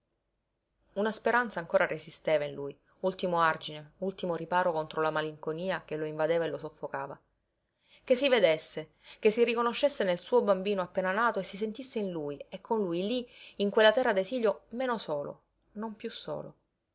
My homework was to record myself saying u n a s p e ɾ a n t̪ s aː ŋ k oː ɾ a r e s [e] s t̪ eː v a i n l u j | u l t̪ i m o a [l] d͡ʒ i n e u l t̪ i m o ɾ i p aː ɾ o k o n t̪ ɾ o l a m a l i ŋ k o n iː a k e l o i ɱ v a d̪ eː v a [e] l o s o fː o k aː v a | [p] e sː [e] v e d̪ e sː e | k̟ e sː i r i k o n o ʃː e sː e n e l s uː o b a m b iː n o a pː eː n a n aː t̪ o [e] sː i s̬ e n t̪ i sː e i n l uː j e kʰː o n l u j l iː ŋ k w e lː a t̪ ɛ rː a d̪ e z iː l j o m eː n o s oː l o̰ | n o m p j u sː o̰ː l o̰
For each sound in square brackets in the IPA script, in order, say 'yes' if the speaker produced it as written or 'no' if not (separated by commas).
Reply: no, no, yes, no, no, yes